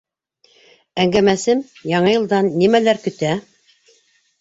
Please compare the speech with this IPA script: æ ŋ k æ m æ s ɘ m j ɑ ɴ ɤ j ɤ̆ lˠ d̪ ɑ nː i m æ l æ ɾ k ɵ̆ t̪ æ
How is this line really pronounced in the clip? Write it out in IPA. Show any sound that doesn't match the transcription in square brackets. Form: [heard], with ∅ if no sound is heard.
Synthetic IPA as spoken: æ ŋ [ɡ] æ m æ s ɘ m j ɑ ɴ ɤ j ɤ̆ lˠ d̪ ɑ nː i m æ l æ ɾ k ɵ̆ t̪ æ